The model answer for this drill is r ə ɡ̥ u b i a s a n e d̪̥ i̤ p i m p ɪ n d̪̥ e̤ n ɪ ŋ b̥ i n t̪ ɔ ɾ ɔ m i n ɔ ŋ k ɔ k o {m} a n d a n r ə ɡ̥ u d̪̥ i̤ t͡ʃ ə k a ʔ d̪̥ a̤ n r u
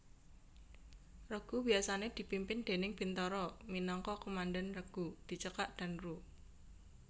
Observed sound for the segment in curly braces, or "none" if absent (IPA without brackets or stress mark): m